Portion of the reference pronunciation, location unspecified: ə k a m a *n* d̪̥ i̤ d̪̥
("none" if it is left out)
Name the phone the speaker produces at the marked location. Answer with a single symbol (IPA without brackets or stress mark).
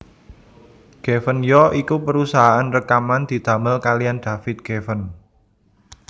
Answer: n